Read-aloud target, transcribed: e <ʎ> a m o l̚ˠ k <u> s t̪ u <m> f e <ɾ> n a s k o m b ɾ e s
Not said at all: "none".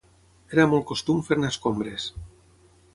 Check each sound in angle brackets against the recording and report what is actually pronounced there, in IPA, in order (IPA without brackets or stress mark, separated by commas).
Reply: ɾ, o, m, ɾ